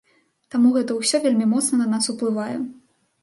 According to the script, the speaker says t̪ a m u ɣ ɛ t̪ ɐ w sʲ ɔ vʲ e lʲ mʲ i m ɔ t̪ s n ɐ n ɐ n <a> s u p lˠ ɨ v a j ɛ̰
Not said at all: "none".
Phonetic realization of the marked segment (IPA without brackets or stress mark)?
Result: a